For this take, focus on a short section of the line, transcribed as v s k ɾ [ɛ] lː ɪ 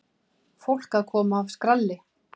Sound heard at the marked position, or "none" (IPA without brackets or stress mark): a